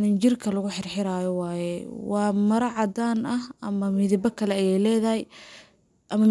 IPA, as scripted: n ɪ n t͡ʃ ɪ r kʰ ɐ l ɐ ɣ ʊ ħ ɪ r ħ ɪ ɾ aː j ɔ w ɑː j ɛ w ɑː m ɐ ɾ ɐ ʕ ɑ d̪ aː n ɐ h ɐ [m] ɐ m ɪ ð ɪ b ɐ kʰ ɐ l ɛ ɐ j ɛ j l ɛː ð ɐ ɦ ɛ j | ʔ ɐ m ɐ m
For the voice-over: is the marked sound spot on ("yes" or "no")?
yes